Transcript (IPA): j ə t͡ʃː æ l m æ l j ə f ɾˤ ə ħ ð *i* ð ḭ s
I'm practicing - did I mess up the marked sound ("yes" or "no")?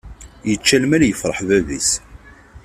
yes